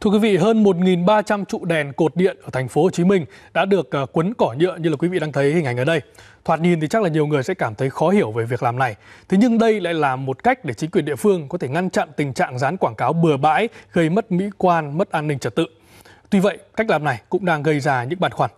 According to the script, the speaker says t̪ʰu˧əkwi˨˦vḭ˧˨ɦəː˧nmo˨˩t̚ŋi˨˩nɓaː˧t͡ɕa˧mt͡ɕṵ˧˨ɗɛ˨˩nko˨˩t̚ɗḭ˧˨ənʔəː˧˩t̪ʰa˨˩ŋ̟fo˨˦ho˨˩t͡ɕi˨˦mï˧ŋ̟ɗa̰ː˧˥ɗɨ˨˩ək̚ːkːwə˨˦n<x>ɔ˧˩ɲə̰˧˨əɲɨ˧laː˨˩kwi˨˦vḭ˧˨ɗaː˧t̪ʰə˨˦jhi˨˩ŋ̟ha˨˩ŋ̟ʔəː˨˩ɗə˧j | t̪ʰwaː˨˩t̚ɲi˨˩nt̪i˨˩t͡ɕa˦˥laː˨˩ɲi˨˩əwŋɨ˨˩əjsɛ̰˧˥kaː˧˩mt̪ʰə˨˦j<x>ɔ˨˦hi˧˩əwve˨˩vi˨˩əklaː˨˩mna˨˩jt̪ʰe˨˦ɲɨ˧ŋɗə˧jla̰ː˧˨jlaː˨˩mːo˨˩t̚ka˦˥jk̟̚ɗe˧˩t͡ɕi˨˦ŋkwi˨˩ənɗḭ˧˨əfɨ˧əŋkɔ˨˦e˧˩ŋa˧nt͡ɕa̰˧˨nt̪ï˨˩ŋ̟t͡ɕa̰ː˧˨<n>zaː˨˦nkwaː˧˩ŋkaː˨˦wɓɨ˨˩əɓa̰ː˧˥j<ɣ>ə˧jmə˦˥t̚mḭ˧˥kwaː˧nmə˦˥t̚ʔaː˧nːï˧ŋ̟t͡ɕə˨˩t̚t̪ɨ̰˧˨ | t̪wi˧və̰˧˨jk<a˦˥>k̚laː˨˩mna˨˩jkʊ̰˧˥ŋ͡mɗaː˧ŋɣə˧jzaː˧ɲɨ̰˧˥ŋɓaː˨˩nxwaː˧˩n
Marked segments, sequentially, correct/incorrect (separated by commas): incorrect, correct, incorrect, correct, correct